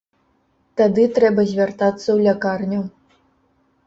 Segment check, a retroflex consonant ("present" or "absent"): absent